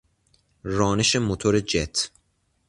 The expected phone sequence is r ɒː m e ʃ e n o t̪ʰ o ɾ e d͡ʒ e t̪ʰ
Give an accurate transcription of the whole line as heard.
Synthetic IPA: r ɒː n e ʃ e m o t̪ʰ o ɾ e d͡ʒ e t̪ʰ